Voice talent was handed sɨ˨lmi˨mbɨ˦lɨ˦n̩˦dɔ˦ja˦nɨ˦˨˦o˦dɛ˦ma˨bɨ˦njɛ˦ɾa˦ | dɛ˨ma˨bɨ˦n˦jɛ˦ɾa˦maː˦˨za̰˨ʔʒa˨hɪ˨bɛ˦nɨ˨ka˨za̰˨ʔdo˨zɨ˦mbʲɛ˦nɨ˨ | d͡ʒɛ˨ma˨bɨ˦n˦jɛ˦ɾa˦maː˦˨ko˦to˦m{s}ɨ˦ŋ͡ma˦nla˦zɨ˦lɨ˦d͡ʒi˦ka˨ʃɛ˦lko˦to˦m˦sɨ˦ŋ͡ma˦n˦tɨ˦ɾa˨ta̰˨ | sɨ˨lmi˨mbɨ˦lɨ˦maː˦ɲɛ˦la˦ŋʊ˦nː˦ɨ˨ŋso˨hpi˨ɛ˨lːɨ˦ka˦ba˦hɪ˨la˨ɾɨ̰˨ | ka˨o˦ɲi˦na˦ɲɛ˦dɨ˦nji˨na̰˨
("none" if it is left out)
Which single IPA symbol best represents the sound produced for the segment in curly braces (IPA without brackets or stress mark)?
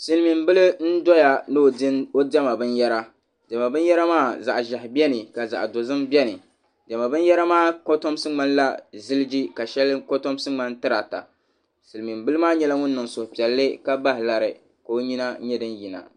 s